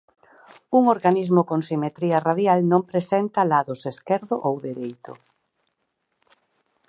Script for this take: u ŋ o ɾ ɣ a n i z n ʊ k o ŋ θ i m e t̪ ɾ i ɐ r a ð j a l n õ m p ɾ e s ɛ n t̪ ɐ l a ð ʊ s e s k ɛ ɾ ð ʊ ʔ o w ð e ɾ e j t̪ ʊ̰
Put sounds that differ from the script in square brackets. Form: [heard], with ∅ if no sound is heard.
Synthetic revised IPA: u ŋ o ɾ ɣ a n i z [m] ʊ k o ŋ [s] i m e t̪ ɾ i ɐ r a ð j a l n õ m p ɾ e s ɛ n t̪ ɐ l a ð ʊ s e s k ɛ ɾ ð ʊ ʔ o w ð e ɾ e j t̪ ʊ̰